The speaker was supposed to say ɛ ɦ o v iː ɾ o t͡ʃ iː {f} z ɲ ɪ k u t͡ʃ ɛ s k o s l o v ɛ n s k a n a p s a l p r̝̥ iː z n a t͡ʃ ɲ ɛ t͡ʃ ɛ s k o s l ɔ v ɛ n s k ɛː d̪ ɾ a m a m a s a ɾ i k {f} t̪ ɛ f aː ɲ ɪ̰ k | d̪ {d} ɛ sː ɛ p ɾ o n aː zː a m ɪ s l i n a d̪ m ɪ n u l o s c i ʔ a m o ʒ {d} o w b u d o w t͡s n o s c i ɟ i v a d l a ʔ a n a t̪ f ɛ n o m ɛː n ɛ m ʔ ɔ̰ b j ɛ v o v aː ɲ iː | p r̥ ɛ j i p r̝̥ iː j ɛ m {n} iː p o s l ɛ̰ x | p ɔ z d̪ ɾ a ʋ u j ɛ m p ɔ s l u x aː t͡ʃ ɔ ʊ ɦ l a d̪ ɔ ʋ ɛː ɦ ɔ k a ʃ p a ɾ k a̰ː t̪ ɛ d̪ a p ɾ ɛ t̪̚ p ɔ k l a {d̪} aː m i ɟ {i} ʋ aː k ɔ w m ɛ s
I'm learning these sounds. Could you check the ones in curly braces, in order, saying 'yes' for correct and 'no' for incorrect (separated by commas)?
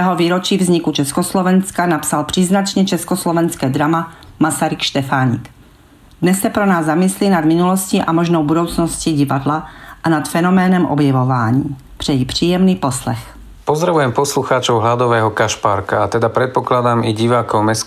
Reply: no, no, no, no, yes, yes, yes